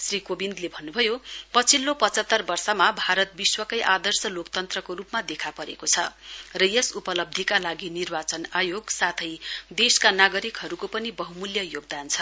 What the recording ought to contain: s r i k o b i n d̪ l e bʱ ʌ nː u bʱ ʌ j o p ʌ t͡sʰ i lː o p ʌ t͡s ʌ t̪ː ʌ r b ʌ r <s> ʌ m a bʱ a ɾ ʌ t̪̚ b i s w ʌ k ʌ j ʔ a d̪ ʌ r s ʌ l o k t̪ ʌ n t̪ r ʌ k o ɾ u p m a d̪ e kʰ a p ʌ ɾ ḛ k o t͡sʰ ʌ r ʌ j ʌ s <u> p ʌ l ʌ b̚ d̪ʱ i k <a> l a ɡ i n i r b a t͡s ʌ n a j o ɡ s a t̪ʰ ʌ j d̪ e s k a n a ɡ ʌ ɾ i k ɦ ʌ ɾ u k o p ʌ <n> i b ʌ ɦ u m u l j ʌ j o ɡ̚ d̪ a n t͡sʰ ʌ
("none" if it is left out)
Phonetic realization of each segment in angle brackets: s, u, a, n

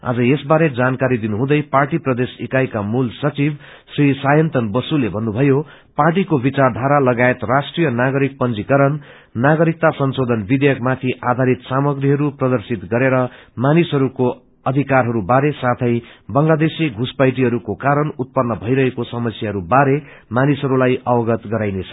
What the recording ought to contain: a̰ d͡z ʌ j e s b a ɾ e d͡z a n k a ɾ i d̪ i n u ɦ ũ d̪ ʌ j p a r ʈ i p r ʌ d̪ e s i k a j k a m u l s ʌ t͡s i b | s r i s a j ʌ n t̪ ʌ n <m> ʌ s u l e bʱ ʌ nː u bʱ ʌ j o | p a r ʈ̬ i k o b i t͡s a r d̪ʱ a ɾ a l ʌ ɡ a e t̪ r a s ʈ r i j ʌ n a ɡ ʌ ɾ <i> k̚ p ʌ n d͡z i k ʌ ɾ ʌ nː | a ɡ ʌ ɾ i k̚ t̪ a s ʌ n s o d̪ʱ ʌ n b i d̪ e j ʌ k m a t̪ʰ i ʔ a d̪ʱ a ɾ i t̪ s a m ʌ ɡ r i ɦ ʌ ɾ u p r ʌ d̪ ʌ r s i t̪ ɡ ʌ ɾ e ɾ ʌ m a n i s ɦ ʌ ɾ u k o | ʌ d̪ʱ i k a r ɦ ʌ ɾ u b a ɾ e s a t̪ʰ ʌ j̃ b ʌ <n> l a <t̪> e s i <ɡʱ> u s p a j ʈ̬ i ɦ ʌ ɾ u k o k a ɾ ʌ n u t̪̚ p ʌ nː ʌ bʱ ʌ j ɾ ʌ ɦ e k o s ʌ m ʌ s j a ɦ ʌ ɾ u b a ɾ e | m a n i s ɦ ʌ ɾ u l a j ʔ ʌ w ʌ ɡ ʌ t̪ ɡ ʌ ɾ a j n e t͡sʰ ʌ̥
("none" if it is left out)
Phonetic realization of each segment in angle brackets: b, i, ŋ, d̪, ɡʱ

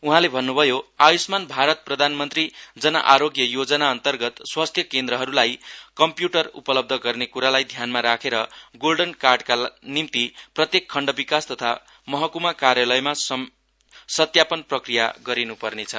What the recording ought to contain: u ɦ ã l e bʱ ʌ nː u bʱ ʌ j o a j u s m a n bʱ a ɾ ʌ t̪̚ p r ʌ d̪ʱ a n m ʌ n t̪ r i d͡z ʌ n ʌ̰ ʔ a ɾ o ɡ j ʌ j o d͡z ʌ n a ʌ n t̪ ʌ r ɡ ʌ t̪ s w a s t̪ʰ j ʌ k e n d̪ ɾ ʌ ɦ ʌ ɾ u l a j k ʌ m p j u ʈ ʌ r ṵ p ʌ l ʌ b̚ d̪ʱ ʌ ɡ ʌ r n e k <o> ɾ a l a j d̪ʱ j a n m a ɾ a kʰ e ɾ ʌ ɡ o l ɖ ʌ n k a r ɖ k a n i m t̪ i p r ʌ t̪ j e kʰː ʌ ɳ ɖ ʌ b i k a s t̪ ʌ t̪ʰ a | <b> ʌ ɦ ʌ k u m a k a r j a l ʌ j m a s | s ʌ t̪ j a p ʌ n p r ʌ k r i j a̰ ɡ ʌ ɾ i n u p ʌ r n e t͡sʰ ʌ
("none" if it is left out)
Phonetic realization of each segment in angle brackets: u, m

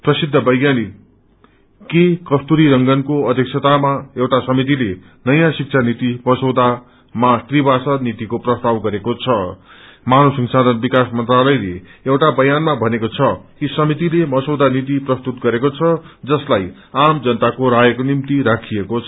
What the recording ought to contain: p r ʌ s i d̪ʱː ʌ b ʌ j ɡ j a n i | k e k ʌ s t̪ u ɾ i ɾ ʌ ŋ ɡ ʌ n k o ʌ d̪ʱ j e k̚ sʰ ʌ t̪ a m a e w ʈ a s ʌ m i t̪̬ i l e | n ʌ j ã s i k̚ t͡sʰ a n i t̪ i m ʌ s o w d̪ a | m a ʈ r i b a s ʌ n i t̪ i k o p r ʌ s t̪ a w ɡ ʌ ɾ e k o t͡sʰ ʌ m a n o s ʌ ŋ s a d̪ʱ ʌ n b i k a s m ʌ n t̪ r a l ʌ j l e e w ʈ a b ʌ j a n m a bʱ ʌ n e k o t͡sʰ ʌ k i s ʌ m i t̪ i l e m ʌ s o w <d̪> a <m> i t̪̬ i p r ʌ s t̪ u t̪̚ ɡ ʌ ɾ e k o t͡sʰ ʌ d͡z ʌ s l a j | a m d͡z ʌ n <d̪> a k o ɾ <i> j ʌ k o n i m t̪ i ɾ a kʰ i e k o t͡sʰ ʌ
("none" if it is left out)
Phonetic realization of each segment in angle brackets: d̪, n, t̪, a

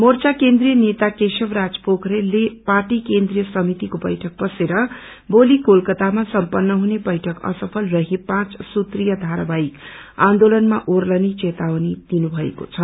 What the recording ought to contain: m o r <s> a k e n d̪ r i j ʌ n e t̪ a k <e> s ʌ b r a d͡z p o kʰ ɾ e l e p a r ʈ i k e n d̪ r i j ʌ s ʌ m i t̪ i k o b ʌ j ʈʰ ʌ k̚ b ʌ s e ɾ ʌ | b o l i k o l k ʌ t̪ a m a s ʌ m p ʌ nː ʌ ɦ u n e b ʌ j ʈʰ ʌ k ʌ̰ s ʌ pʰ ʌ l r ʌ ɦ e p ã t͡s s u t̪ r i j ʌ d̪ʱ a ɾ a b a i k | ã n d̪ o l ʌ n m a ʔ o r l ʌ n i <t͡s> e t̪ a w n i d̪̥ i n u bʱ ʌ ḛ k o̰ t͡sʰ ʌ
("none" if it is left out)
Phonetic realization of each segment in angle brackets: t͡s, e, t͡s

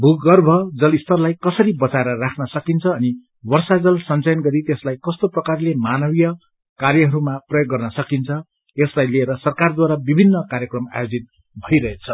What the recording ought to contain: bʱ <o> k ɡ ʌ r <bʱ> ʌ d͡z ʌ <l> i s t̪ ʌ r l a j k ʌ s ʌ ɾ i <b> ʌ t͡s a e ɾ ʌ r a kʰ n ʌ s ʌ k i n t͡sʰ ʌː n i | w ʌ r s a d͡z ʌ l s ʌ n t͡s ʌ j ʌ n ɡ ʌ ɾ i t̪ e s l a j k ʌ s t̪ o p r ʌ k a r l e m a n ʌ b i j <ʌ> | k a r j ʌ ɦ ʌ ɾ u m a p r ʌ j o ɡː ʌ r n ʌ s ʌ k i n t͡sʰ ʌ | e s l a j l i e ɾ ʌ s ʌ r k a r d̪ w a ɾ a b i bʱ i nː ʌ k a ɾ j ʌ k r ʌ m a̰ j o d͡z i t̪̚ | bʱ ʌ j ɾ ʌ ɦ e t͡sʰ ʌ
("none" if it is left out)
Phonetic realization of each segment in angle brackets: u, bʱ, l, b, ʌ

